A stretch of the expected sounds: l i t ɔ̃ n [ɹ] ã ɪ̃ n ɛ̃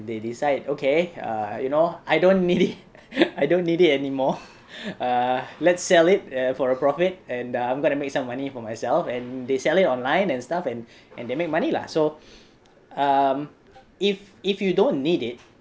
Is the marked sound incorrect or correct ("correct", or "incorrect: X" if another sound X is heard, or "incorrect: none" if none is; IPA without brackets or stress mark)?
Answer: incorrect: l